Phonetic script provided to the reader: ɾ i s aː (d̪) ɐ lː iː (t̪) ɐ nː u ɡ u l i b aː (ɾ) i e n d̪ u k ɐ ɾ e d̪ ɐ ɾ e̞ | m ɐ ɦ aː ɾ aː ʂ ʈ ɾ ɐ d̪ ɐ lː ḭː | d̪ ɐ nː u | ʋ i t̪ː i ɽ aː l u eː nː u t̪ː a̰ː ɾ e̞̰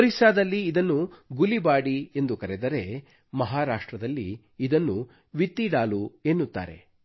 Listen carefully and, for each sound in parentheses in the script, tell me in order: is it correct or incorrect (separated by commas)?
correct, incorrect, incorrect